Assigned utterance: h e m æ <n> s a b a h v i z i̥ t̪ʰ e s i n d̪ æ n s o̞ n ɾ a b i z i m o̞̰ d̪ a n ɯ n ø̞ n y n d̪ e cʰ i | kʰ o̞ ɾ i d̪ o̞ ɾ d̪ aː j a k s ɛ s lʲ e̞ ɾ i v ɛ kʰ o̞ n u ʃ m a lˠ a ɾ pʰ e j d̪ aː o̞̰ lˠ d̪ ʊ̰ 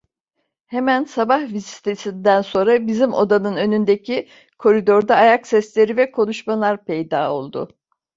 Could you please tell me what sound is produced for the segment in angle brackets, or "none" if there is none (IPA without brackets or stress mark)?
n